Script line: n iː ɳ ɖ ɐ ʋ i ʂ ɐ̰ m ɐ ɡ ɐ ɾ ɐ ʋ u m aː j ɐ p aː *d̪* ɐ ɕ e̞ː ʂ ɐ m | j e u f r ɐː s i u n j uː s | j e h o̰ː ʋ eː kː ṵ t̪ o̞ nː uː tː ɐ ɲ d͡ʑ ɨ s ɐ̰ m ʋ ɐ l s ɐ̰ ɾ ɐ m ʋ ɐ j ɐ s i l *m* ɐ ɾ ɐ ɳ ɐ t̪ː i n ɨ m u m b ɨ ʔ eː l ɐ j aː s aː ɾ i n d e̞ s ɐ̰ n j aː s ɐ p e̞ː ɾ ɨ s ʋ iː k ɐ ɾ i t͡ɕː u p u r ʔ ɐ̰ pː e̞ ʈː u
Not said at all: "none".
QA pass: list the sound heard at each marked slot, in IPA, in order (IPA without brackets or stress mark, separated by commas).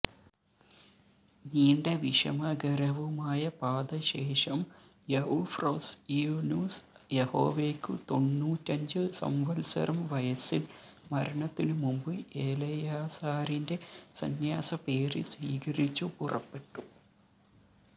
d̪, m